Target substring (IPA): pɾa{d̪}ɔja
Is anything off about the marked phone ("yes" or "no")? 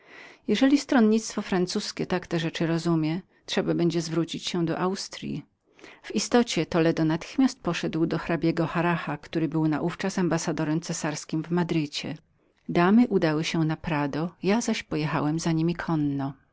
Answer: no